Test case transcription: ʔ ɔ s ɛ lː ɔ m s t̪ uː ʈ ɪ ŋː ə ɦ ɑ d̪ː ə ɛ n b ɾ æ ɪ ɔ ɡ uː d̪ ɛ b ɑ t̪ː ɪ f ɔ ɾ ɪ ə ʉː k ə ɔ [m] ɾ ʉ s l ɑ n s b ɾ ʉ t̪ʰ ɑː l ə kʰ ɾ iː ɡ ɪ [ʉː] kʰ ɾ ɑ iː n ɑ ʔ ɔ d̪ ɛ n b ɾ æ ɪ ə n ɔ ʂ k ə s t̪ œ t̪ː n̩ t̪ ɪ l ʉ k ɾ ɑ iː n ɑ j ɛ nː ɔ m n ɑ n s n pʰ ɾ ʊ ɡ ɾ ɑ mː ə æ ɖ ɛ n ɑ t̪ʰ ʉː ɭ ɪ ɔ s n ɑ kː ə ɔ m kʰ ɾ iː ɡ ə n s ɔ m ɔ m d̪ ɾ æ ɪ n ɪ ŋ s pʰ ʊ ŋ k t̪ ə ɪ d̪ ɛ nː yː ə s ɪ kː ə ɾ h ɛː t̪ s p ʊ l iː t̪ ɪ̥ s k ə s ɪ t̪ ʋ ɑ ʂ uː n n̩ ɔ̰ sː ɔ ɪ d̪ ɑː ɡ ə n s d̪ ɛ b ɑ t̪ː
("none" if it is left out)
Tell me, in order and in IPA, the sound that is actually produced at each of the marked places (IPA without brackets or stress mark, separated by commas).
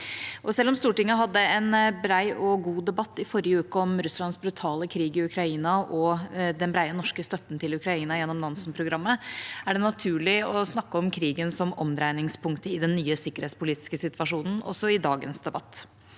m, ʉ